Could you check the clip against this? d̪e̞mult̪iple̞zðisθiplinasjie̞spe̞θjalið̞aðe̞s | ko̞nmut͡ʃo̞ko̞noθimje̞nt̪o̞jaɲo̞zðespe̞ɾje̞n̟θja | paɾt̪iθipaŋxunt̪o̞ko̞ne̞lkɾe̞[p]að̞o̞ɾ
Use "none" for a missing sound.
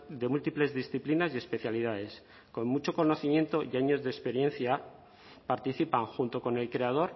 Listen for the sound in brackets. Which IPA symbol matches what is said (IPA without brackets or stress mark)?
none